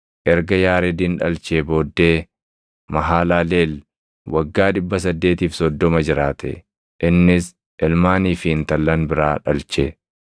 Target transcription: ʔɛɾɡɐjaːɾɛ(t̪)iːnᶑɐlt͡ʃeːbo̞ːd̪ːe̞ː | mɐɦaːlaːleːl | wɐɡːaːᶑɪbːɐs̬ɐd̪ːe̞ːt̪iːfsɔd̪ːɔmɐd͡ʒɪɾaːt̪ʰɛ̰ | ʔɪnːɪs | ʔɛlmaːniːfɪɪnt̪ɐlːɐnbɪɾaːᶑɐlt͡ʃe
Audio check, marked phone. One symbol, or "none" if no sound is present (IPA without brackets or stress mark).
d̪